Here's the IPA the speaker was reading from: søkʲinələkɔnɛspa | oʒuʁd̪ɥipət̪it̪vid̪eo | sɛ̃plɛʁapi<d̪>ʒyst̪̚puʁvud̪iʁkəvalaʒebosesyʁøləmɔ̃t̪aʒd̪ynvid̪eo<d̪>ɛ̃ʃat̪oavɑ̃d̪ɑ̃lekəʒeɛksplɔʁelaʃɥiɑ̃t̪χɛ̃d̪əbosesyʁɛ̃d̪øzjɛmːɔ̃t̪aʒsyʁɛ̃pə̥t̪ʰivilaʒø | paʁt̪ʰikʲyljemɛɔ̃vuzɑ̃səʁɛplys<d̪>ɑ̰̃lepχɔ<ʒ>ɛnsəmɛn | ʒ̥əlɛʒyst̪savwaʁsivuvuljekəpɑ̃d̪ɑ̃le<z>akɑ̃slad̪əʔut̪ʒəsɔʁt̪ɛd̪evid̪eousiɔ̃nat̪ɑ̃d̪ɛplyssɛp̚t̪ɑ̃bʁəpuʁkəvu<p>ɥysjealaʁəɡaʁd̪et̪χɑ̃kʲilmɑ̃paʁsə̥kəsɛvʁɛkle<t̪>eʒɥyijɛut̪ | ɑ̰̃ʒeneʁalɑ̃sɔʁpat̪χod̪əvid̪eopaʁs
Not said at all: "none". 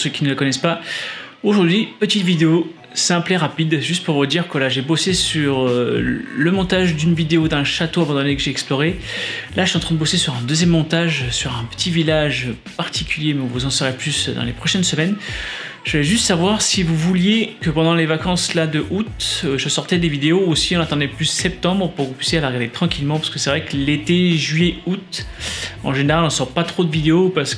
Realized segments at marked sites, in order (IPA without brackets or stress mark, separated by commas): d̪, d̪, d̪, ʃ, v, p, t̪